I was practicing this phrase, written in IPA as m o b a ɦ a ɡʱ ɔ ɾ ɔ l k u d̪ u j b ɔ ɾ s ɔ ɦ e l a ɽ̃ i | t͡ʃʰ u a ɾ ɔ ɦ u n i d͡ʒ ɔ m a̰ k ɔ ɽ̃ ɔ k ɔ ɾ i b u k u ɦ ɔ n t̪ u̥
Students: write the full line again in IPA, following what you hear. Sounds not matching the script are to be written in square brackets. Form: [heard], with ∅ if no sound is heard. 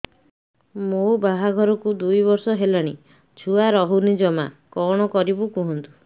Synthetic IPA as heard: m o b a ɦ a ɡʱ ɔ ɾ ɔ [∅] k u d̪ u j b ɔ ɾ s ɔ ɦ e l a ɽ̃ i | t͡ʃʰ u a ɾ ɔ ɦ u n i d͡ʒ ɔ m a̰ k ɔ ɽ̃ ɔ k ɔ ɾ i b u k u ɦ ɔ n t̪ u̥